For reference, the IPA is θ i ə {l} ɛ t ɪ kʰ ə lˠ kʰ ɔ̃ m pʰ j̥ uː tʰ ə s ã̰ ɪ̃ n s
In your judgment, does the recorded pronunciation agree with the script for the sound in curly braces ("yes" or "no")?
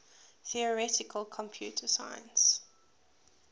no